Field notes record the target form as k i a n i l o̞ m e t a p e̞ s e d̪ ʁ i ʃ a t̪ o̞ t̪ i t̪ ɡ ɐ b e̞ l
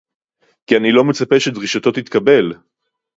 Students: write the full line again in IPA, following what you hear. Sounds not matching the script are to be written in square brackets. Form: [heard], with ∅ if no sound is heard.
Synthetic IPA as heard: k i a n i l o̞ m e [t͡s] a p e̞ [ʃ] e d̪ ʁ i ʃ a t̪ o̞ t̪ i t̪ [k] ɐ b e̞ l

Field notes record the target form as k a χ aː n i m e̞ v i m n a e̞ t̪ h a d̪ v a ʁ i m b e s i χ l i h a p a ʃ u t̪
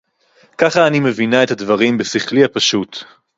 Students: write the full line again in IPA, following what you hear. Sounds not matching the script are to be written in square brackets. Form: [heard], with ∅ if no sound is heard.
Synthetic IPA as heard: k a χ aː n i m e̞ v i [∅] n a e̞ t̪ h a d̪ v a ʁ i m b e s i χ l i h a p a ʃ u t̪

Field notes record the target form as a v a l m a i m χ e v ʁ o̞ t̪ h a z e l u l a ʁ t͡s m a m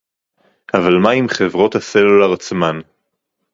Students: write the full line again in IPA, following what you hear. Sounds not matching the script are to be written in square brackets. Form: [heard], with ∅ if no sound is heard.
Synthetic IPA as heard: a v a l m a i m χ e v ʁ o̞ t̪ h a [s] e l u l a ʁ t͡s m a [n]

